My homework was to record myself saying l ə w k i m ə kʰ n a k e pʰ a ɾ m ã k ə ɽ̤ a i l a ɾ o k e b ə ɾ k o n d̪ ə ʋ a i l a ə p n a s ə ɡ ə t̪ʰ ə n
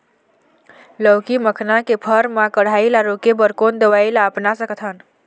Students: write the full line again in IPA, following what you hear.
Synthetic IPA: l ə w k i m ə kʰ n a k e pʰ ə ɾ m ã k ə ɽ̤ a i l a ɾ o k e b ə ɾ k o n d̪ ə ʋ a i l a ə p n a s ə k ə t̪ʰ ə n